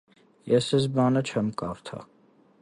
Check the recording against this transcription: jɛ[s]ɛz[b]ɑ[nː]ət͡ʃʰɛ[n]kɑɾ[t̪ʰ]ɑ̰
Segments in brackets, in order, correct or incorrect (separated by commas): correct, correct, incorrect, incorrect, correct